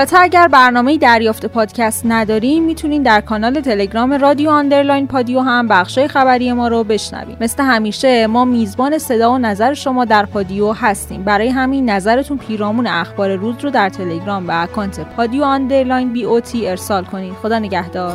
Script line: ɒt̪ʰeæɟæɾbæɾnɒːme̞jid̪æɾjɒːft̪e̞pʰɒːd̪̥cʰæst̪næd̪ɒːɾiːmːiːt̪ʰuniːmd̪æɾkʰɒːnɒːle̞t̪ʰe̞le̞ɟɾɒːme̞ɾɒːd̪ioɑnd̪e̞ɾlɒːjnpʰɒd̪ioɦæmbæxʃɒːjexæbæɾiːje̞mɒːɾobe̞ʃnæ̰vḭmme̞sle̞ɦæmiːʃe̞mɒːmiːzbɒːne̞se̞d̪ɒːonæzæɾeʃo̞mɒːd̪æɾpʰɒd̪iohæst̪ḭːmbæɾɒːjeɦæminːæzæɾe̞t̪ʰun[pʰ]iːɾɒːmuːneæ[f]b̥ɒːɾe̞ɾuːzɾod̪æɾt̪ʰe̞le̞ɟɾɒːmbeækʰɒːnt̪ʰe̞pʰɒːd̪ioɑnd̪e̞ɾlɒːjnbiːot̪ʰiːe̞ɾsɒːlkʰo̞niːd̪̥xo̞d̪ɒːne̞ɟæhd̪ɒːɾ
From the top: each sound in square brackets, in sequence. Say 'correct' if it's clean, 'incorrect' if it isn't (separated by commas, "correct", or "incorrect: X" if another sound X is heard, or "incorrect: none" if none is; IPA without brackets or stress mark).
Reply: correct, incorrect: x